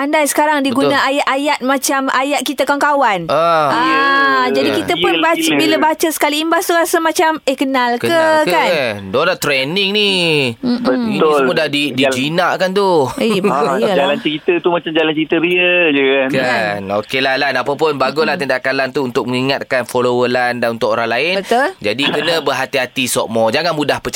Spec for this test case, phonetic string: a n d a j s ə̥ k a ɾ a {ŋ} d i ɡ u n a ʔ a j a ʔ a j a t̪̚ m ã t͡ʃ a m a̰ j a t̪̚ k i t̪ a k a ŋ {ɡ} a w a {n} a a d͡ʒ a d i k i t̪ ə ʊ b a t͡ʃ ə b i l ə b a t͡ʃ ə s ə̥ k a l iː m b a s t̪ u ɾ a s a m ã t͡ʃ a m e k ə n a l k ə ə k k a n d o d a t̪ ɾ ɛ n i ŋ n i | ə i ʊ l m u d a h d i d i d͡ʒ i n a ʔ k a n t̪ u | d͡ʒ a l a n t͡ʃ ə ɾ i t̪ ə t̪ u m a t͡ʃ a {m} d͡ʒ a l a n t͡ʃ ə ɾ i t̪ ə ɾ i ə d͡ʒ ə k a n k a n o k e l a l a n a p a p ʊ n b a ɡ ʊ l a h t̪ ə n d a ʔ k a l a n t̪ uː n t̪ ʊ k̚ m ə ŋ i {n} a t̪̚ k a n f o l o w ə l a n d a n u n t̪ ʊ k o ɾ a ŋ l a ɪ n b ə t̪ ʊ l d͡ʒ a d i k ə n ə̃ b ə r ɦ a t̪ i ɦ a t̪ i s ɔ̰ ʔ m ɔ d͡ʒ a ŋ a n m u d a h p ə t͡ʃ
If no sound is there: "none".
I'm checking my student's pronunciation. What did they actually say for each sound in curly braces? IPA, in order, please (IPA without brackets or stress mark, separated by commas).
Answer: ŋ, k, n, m, ŋ